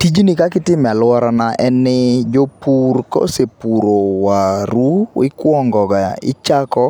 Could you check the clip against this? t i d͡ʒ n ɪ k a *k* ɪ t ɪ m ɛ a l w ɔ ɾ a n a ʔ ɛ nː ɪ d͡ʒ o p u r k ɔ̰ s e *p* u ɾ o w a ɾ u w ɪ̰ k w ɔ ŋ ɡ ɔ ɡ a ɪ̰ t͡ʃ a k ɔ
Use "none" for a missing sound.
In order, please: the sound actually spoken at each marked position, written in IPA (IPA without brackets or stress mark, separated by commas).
k, p